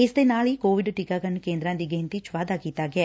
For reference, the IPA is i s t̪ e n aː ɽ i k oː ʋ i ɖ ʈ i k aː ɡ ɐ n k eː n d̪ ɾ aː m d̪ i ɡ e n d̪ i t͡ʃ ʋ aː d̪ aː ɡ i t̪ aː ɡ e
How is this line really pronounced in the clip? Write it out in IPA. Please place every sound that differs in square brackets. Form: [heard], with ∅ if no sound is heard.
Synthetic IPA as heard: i s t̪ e n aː [ɭ] i k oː ʋ i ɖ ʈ i k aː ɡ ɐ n k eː n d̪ ɾ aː [n] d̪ i ɡ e n [t̪] i t͡ʃ ʋ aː d̪ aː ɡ i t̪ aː ɡ e